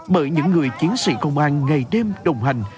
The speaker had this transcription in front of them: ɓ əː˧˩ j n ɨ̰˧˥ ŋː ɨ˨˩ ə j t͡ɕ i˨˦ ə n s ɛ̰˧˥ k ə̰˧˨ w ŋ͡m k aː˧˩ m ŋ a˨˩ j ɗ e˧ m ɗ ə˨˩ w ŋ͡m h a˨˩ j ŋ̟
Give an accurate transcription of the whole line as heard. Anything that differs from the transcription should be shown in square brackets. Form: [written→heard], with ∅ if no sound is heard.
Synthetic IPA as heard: ɓ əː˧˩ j [n→ɲ] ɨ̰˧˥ ŋː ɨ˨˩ ə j t͡ɕ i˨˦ ə n s [ɛ̰˧˥→ḭ˧˥] k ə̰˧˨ w ŋ͡m [k→ʔ] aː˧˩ [m→n] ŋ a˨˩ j ɗ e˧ m ɗ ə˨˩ w ŋ͡m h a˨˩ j ŋ̟